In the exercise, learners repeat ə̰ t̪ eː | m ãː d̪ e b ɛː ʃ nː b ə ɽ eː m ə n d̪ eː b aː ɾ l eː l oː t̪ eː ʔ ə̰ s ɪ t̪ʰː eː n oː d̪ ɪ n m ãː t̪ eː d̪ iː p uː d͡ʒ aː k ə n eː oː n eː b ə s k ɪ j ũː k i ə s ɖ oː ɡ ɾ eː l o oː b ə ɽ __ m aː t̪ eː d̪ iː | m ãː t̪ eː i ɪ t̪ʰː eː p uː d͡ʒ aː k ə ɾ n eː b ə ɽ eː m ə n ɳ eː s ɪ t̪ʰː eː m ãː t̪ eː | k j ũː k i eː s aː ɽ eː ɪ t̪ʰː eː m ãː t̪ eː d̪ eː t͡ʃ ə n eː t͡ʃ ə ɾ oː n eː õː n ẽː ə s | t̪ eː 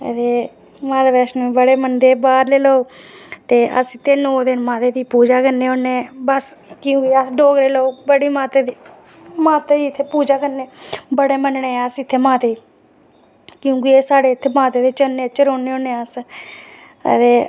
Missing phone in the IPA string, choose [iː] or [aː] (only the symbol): iː